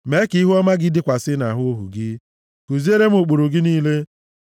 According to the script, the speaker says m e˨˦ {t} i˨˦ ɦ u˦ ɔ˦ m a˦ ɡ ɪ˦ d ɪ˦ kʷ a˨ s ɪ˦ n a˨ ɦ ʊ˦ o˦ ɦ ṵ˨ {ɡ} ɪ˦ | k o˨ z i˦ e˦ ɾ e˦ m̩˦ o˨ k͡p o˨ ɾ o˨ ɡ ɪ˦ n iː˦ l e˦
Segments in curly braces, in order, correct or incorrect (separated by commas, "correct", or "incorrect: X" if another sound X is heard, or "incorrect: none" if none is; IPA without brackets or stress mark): incorrect: k, correct